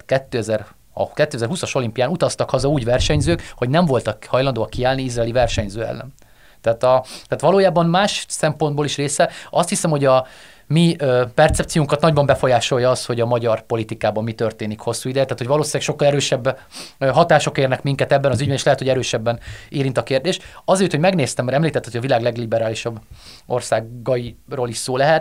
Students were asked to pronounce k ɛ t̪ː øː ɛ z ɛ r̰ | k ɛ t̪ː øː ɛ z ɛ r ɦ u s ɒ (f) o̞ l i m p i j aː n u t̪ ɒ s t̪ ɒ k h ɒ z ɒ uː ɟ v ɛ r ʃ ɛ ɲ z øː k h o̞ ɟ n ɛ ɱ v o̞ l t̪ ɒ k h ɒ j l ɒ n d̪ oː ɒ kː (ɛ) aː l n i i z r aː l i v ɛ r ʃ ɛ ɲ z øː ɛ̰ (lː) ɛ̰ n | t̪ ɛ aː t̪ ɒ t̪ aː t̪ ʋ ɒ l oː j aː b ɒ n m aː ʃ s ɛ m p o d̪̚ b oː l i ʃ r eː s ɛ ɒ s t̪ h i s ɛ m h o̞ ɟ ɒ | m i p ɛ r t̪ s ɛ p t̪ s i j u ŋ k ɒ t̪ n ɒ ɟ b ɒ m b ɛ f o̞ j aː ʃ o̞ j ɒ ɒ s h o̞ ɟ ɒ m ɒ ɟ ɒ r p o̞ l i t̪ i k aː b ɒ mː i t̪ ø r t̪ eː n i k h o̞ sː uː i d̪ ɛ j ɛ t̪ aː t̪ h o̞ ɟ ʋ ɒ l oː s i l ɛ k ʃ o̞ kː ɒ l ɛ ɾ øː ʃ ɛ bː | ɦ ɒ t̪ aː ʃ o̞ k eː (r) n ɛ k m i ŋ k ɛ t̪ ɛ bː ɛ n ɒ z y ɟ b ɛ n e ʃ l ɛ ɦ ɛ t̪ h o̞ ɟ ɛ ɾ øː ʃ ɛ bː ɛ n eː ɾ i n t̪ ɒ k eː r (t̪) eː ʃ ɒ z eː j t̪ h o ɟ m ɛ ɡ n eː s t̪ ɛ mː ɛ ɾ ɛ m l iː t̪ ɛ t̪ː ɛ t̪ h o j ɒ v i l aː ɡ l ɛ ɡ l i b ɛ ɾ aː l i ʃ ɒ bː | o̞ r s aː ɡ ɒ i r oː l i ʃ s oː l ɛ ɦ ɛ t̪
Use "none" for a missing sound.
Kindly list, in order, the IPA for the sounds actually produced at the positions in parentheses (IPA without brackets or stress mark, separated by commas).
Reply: ʃ, i, lː, r, d̪